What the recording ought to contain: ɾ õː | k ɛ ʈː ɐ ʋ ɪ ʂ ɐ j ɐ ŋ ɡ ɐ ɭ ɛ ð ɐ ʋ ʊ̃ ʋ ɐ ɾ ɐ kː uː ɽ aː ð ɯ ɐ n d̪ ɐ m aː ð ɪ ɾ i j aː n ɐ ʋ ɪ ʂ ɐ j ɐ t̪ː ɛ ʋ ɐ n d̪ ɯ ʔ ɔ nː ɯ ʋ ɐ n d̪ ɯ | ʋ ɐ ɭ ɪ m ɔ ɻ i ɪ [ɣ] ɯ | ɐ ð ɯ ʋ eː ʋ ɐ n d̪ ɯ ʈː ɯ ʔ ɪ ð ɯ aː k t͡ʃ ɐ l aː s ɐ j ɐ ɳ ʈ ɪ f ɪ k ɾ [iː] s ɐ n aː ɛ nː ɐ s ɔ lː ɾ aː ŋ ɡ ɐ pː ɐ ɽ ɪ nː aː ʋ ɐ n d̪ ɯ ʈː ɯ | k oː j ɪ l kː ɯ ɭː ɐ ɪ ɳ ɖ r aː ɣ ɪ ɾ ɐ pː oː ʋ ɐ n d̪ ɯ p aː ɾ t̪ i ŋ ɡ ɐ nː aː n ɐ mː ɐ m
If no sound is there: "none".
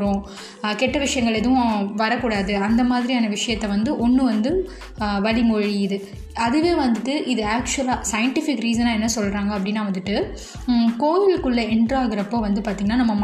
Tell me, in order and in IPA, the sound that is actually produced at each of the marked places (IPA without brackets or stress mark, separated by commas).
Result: ð, iː